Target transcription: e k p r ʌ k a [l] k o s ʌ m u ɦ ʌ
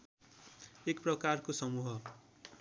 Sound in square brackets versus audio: incorrect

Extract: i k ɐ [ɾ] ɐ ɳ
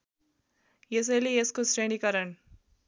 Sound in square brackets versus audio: correct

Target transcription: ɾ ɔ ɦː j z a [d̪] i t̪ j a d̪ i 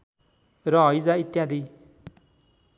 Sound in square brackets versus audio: incorrect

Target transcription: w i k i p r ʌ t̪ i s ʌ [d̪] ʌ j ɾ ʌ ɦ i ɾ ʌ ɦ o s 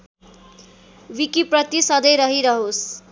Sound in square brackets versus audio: correct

